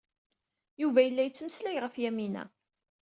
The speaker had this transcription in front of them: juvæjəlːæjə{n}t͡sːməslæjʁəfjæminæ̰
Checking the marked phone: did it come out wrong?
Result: yes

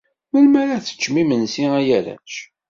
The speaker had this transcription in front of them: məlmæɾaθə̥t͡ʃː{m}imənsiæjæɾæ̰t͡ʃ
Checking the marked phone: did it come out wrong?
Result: no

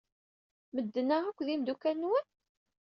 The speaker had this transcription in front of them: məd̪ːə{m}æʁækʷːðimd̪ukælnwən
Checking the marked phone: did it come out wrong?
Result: yes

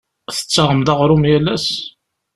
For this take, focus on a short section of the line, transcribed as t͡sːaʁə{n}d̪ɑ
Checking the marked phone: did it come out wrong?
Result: yes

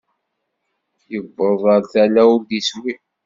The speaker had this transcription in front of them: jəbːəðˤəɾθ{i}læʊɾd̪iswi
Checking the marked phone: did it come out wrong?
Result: yes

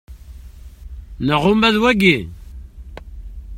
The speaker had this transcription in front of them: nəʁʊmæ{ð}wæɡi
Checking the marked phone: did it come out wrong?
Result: no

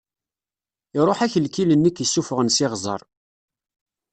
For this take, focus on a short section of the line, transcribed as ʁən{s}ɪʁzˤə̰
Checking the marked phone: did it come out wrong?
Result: no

